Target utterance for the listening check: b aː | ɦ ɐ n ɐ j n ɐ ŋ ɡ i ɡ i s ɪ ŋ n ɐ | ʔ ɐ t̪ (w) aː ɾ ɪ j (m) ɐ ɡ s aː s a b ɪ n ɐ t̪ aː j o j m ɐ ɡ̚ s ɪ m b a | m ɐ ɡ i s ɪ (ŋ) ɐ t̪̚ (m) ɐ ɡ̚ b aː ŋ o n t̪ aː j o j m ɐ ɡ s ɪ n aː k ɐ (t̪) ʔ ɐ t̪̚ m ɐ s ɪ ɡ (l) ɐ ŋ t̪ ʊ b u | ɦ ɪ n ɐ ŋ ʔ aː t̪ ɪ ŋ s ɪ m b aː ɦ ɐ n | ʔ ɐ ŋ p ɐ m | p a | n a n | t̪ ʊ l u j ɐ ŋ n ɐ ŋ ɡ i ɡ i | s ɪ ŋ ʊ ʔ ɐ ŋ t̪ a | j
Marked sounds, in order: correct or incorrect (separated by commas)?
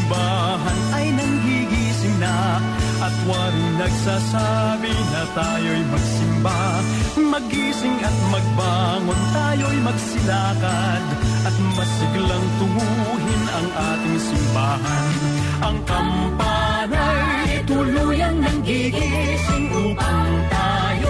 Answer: correct, incorrect, correct, correct, incorrect, correct